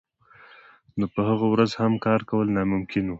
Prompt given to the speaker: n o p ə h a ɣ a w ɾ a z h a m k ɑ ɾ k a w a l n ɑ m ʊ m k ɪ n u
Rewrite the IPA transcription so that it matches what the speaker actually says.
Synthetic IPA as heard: n o p ə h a ɣ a w ɾ a z h a m k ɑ ɾ k a w ə l n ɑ m ʊ m k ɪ n u